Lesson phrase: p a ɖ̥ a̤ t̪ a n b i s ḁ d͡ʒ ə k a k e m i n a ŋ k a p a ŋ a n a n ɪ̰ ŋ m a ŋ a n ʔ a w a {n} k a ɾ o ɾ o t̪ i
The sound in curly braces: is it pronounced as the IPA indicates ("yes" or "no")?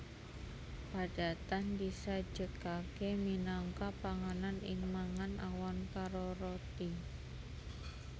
yes